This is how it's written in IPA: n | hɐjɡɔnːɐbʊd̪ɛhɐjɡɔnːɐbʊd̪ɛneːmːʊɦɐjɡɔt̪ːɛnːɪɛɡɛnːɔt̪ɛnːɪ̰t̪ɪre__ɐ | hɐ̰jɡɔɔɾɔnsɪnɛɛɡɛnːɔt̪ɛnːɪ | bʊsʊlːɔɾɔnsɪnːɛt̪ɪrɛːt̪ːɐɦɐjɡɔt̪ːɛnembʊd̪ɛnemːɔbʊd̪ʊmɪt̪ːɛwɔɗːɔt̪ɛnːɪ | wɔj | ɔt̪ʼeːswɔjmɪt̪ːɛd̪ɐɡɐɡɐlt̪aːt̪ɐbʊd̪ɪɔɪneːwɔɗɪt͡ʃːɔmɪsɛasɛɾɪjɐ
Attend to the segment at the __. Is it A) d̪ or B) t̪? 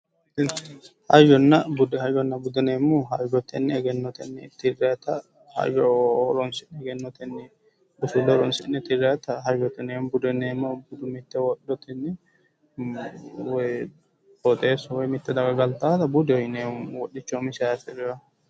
B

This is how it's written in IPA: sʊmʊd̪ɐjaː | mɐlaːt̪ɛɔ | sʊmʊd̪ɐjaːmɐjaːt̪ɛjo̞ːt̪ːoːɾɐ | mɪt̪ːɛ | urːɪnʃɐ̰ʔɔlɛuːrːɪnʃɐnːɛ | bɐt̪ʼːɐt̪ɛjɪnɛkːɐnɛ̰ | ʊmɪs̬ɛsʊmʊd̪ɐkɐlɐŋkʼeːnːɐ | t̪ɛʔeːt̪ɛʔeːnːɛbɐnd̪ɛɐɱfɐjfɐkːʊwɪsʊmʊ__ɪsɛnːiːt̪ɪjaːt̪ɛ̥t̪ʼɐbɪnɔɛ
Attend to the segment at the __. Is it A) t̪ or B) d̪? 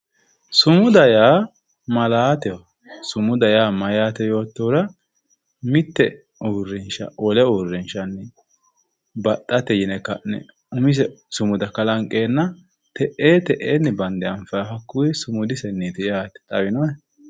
B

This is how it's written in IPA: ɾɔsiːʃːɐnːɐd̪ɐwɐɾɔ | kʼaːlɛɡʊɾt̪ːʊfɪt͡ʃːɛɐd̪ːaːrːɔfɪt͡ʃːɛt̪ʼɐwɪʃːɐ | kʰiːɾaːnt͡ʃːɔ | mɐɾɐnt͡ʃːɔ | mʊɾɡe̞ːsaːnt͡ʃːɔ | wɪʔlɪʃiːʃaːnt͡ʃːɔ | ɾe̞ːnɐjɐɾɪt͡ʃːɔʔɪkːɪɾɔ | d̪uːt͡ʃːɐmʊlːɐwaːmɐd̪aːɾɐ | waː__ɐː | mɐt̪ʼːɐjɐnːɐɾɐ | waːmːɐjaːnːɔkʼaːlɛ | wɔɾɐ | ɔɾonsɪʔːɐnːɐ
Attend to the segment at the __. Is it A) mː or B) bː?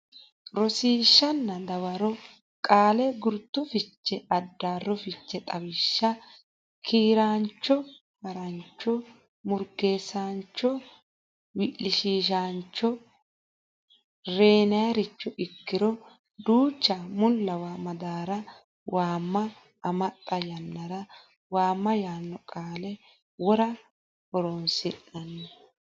A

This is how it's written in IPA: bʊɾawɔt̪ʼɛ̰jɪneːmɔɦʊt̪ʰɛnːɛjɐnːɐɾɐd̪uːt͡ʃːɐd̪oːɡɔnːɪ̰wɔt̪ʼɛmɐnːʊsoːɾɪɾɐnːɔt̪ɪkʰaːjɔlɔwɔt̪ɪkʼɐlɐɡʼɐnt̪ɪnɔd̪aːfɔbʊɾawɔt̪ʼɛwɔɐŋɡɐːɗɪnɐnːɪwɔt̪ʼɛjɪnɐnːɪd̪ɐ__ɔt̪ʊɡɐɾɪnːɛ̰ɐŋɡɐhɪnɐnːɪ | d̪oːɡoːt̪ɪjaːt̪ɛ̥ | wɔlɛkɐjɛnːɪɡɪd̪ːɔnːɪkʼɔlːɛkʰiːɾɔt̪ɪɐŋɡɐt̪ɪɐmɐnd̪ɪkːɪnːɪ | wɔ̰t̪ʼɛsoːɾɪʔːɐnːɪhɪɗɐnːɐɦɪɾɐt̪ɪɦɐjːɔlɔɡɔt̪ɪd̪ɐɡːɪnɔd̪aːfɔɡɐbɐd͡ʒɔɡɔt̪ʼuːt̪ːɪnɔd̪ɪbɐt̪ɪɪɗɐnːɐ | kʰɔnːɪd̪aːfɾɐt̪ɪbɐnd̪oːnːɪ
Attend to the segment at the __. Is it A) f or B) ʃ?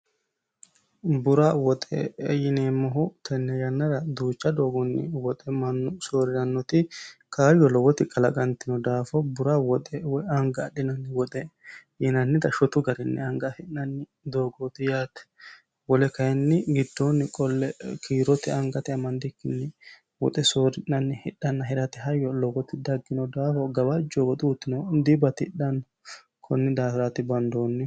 B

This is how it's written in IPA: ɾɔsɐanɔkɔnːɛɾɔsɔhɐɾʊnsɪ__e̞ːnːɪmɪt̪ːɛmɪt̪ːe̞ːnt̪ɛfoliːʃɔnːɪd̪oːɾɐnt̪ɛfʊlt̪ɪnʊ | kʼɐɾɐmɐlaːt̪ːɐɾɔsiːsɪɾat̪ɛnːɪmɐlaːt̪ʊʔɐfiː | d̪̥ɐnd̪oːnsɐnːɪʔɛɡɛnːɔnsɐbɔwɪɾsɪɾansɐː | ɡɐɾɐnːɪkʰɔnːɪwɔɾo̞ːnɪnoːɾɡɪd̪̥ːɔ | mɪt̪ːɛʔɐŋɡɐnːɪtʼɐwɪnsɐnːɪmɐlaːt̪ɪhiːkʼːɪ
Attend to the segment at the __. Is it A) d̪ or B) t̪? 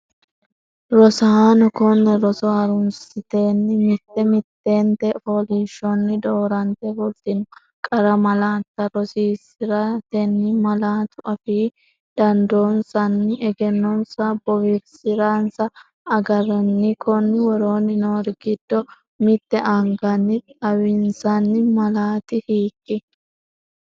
B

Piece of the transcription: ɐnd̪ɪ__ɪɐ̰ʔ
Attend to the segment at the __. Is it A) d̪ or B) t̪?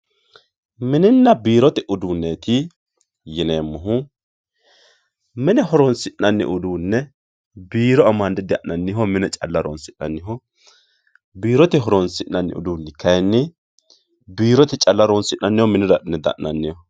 A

